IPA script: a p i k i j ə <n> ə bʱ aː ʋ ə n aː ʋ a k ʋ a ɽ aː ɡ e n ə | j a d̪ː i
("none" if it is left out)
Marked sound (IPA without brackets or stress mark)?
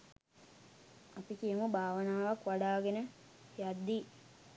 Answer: m